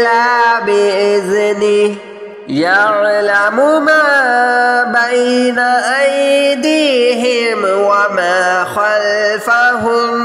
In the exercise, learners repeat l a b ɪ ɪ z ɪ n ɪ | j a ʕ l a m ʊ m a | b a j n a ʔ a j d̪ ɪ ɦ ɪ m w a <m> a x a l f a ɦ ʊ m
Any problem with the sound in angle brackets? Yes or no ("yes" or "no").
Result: no